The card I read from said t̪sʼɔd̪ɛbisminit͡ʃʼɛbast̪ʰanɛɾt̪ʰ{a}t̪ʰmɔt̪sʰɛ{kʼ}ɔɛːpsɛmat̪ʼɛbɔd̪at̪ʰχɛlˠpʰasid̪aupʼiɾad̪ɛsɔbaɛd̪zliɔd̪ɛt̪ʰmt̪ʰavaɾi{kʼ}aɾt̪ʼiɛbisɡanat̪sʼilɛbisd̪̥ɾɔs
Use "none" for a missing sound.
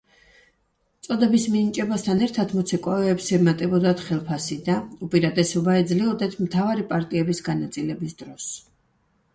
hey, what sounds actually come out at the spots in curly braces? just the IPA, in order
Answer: a, kʼ, pʼ

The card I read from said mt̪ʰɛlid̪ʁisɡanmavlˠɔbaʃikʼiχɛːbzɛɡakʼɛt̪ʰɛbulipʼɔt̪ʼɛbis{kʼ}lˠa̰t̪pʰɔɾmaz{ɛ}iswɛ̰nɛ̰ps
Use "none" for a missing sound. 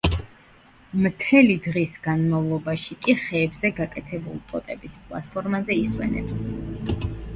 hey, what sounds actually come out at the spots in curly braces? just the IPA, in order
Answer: pʼ, ɛ

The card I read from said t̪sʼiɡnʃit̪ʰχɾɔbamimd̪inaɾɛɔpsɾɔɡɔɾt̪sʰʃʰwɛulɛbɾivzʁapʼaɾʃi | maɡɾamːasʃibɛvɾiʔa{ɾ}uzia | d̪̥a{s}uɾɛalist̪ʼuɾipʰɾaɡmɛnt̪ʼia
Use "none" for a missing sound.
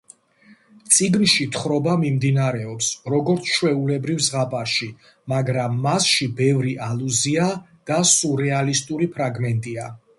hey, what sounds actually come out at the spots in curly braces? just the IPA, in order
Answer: l, s

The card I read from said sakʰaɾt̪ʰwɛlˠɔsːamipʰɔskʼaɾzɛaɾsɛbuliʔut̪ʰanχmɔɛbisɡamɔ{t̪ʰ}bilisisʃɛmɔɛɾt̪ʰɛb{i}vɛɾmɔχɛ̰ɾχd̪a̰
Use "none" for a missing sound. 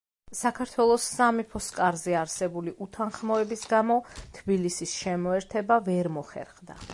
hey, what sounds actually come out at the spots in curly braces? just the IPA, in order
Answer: t̪ʰ, a

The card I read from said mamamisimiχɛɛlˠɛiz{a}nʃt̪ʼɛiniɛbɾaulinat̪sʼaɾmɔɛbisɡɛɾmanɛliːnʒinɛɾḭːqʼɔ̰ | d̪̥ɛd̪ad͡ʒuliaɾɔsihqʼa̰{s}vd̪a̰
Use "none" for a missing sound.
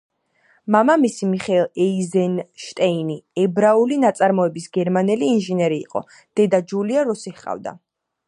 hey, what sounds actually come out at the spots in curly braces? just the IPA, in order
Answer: ɛ, none

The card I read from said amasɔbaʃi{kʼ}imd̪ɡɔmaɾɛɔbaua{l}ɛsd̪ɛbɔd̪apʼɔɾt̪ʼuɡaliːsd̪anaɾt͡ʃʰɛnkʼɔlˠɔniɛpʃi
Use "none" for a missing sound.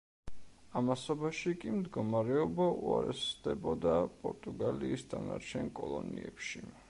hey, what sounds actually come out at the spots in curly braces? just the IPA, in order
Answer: kʼ, ɾ

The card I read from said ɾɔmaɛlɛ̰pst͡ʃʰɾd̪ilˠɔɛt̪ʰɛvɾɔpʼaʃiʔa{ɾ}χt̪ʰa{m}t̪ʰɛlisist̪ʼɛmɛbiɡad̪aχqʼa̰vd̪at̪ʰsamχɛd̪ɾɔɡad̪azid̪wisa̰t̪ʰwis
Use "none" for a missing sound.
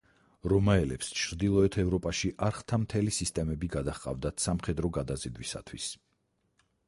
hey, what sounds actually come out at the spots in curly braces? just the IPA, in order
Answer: ɾ, m

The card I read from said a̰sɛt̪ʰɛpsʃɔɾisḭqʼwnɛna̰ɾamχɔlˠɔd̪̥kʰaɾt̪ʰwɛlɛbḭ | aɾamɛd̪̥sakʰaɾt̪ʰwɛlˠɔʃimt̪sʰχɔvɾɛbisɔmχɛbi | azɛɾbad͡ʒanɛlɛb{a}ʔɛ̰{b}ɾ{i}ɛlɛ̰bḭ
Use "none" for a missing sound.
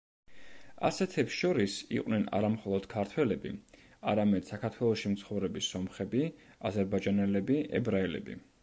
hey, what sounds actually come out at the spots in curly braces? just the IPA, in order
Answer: i, b, a

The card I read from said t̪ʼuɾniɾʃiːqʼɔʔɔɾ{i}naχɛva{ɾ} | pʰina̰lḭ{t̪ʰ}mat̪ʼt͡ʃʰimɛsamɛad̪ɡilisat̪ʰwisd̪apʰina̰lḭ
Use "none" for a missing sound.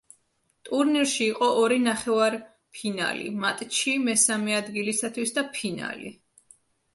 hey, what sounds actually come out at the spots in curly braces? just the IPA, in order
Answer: i, ɾ, none

